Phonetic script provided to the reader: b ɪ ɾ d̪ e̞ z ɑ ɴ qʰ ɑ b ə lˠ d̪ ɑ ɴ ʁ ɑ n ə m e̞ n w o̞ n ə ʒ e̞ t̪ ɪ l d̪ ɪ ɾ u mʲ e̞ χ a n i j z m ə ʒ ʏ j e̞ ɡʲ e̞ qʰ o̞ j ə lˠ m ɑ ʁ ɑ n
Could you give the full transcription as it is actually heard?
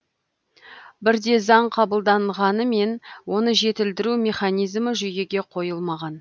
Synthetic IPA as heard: b ɪ ɾ d̪ e̞ z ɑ ɴ qʰ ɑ b ə lˠ d̪ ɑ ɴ ʁ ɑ n ə m e̞ n w o̞ n ə ʒ e̞ t̪ ɪ l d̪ ɪ ɾ u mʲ e̞ χ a n i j z m ə ʒ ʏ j e̞ ɡʲ e̞ qʰ o̞ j ə lˠ m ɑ ʁ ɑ n